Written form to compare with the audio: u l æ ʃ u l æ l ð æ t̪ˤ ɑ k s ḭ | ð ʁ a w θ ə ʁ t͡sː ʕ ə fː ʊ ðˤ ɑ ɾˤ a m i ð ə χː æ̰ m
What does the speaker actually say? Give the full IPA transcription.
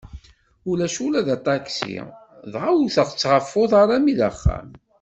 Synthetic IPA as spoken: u l æ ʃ u l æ ð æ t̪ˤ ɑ k s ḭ | ð ʁ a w θ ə ʁ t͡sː ʁ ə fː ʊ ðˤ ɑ ɾˤ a m i ð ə χː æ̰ m